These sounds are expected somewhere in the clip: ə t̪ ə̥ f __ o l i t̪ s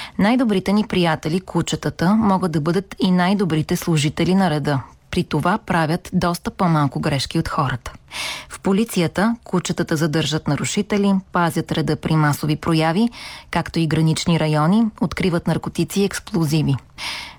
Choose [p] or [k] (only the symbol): p